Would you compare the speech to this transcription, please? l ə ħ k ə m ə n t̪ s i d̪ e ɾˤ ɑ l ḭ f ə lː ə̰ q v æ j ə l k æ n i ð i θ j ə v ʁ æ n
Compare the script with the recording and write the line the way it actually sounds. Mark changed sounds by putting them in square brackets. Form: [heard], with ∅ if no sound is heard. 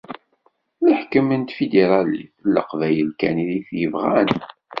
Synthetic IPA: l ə ħ k ə m ə n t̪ [f] i d̪ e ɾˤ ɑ l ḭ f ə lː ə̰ q v æ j ə l k æ n i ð i θ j ə v ʁ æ n

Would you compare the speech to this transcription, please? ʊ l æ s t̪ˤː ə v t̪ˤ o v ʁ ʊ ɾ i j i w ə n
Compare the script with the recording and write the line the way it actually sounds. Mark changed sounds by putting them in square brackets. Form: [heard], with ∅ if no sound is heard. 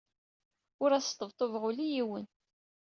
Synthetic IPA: ʊ [ɾ] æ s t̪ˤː ə v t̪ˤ o v ʁ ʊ [l] i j i w ə n

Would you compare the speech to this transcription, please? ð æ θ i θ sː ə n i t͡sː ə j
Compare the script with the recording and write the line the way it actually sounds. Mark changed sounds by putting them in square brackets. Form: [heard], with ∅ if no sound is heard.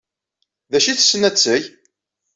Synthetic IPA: ð æ [ʃ] i θ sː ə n [æ] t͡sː ə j

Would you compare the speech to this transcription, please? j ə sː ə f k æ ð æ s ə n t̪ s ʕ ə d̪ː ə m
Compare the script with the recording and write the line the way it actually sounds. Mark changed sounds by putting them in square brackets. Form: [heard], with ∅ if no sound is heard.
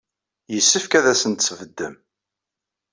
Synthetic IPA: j ə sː ə f k æ ð æ s ə n t̪ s [v] ə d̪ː ə m

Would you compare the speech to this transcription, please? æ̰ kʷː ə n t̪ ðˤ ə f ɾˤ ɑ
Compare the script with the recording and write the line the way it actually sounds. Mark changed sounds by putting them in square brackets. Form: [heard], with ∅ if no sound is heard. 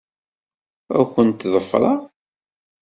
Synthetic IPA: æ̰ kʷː ə n t̪ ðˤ ə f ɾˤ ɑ

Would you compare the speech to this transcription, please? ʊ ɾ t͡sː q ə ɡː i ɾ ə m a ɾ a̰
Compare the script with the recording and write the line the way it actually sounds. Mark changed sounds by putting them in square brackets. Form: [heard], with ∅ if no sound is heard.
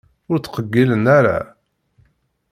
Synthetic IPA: ʊ ɾ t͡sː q ə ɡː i [l] ə [n] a ɾ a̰

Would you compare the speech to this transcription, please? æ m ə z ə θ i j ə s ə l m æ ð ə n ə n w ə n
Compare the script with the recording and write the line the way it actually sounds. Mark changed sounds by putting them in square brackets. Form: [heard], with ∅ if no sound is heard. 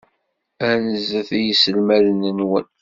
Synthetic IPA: æ [n] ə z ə θ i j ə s ə l m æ ð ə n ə n w ə n

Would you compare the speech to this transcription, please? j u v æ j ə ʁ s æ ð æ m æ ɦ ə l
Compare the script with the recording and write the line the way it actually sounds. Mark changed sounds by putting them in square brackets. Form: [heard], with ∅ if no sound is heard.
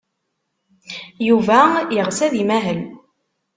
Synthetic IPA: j u v æ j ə ʁ s æ ð [i] m æ ɦ ə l

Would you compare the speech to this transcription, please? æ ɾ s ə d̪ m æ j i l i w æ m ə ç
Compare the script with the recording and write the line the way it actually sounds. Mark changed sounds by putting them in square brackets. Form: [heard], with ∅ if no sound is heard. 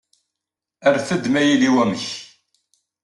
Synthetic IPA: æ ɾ [θ] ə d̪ m æ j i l i w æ m ə ç

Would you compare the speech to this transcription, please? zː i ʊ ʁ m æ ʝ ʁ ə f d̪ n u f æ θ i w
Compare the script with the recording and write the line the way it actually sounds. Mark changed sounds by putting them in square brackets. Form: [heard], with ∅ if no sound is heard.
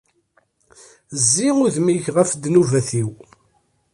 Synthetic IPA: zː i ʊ [ð] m [i] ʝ ʁ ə f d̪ n u [v] æ θ i w

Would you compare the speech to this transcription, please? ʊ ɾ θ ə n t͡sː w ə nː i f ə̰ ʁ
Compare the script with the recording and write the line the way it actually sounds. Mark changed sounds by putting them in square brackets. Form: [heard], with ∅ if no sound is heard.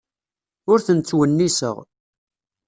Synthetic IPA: ʊ ɾ θ ə n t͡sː w ə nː i [s] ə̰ ʁ

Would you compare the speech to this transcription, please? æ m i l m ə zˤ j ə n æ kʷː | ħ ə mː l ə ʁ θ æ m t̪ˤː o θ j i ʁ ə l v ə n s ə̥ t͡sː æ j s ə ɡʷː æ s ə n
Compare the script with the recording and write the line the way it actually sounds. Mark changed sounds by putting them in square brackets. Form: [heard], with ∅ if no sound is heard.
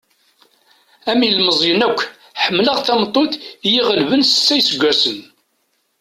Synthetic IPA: æ m i l m ə zˤ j ə n æ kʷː | ħ ə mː l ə ʁ θ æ m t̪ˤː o θ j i ʁ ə l v ə n s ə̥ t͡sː æ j s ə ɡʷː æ s ə n

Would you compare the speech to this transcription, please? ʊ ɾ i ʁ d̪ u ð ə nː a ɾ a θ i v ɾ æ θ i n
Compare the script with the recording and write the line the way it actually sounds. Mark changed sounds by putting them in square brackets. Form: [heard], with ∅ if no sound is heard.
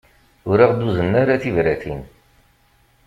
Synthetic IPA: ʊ ɾ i ʁ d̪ u [z] ə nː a ɾ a θ i v ɾ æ θ i n

